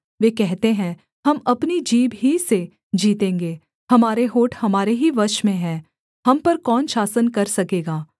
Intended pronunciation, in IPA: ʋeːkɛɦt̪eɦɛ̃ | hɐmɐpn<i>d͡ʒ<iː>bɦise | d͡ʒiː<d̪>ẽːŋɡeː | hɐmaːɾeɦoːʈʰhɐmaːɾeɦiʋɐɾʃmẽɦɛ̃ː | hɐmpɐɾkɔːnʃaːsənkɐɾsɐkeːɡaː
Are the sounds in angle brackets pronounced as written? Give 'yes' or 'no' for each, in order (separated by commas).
yes, yes, no